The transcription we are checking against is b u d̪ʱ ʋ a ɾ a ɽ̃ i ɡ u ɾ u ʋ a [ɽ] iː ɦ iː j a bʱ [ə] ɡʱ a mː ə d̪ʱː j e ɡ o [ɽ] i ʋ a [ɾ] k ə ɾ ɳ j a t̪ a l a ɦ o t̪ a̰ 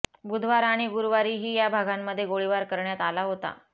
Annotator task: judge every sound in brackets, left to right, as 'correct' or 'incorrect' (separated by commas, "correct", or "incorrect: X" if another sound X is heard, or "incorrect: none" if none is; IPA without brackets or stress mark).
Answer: incorrect: ɾ, incorrect: a, incorrect: ɭ, correct